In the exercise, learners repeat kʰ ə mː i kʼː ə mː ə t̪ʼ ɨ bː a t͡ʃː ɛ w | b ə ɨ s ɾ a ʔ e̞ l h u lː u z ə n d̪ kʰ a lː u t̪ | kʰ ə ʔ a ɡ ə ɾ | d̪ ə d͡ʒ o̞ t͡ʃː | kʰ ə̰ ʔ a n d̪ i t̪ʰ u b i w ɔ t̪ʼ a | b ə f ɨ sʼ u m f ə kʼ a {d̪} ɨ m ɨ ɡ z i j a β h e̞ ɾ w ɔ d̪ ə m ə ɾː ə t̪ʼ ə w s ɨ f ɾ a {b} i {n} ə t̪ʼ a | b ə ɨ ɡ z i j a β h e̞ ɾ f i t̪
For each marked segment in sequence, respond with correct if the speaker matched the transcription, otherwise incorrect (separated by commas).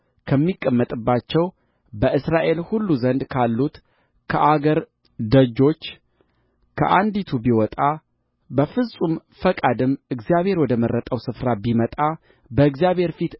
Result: correct, correct, incorrect